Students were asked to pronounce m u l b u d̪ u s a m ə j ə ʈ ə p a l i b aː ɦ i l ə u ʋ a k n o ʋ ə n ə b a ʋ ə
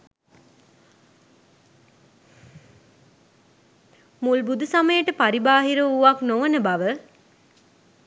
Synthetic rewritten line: m u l b u d̪ u s a m ə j ə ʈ ə p a ɾ i b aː ɦ i ɾ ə u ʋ a k n o ʋ ə n ə b a ʋ ə